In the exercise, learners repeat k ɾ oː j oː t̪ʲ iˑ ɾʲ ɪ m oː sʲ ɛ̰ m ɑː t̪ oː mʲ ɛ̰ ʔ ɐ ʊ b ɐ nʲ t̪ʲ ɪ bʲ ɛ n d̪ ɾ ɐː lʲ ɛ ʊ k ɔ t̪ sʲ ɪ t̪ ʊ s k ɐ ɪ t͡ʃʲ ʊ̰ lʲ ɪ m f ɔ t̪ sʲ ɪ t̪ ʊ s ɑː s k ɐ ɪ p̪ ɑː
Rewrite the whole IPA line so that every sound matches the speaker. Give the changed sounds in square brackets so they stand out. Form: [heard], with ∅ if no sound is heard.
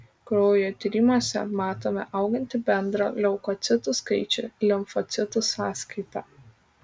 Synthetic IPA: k ɾ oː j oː t̪ʲ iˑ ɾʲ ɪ m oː sʲ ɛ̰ m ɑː t̪ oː mʲ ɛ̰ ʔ ɐ ʊ [ɡ] ɐ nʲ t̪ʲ ɪ bʲ ɛ n d̪ ɾ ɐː lʲ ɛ ʊ k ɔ t̪ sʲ ɪ t̪ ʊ s k ɐ ɪ t͡ʃʲ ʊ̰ lʲ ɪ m f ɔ t̪ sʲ ɪ t̪ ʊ s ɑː s k ɐ ɪ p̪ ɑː